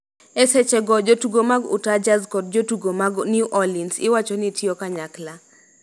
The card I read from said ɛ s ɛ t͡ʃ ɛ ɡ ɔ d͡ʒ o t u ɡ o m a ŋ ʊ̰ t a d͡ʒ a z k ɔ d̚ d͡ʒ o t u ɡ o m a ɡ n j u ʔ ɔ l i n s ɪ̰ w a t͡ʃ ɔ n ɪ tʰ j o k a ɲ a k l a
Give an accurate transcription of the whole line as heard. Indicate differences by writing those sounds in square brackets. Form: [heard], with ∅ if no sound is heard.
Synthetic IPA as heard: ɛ s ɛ t͡ʃ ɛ ɡ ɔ d͡ʒ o t u ɡ o m a [ɡ] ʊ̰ t a d͡ʒ a z k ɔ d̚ d͡ʒ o t u ɡ o m a ɡ n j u ʔ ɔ l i n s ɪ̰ w a t͡ʃ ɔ n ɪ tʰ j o k a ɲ a k l a